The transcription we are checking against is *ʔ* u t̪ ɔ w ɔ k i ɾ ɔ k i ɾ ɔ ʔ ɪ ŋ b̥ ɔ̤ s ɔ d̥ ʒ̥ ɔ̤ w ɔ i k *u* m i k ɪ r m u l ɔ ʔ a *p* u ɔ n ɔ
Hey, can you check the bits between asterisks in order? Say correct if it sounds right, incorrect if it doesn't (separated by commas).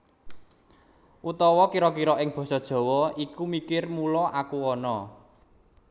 correct, correct, incorrect